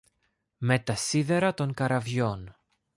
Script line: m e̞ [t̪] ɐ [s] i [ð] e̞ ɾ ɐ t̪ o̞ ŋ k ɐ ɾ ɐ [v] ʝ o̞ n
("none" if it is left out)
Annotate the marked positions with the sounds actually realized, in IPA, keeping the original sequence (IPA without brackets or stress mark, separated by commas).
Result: t̪, s, ð, v